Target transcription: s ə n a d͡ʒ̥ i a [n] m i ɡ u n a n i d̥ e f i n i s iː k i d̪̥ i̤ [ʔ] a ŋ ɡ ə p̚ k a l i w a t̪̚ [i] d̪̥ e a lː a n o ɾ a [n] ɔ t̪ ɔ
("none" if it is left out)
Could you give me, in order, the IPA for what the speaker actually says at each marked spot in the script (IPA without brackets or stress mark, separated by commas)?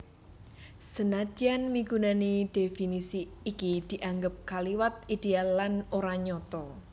n, ʔ, i, ɲ